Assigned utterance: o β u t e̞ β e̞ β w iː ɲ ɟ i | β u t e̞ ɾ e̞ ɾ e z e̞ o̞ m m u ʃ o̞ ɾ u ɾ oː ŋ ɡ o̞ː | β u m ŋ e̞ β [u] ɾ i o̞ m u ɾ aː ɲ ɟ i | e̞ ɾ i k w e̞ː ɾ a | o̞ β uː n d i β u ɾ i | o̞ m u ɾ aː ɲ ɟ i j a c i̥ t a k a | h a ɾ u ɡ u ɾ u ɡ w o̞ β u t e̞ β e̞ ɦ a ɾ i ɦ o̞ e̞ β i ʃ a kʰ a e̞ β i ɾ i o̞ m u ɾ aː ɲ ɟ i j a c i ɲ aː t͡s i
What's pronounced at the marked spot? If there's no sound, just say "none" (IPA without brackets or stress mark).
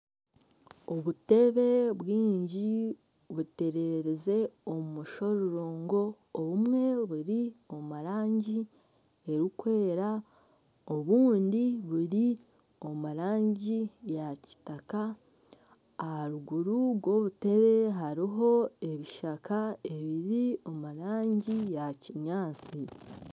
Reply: u